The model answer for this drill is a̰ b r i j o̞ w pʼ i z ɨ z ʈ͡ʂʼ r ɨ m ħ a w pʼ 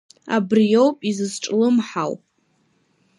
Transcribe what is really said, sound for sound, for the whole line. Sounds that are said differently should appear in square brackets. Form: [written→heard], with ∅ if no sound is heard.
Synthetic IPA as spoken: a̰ b r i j o̞ w pʼ i z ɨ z ʈ͡ʂʼ [r→l] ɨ m ħ a w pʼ